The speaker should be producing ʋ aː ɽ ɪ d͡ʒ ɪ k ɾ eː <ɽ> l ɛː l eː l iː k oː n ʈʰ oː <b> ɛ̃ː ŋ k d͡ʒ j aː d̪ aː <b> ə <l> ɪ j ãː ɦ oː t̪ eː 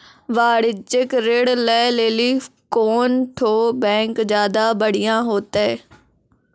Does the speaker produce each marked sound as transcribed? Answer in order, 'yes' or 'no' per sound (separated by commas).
yes, yes, yes, no